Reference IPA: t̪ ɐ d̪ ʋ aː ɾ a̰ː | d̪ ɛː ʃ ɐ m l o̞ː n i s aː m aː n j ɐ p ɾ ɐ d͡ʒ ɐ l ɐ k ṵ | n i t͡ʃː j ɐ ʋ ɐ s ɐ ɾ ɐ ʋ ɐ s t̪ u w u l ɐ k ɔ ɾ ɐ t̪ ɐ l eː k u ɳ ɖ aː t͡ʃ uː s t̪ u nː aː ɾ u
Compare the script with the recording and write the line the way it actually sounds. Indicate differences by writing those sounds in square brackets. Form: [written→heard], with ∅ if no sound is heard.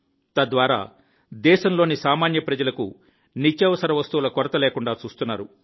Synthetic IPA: t̪ ɐ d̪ ʋ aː ɾ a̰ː | d̪ ɛː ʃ ɐ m l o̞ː n i s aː m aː n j ɐ p ɾ ɐ d͡ʒ ɐ l ɐ k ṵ | n i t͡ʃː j ɐ ʋ ɐ s ɐ ɾ ɐ ʋ ɐ s t̪ u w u l ɐ k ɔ ɾ ɐ t̪ ɐ l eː k u ɳ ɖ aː t͡ʃ uː s t̪ u nː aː ɾ u